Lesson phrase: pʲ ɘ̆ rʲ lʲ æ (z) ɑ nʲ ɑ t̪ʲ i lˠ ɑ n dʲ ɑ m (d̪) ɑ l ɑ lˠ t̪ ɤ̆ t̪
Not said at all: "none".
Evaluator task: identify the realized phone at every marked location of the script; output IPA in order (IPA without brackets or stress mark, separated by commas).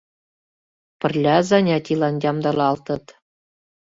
z, d̪